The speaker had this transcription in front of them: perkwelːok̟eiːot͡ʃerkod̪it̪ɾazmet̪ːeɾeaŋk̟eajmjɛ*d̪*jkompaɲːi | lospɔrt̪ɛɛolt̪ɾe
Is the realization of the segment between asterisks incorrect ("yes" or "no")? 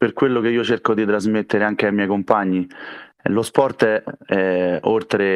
yes